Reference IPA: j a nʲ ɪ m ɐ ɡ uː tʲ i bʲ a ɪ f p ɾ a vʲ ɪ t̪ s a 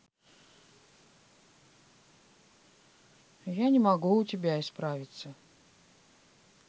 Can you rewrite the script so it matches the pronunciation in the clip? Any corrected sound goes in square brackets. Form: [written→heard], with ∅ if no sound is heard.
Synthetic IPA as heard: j a nʲ ɪ m ɐ ɡ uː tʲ [i→ɪ] bʲ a ɪ [f→s] p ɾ a vʲ ɪ t̪ s [a→ə]